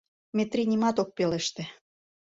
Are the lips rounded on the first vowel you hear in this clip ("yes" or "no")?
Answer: no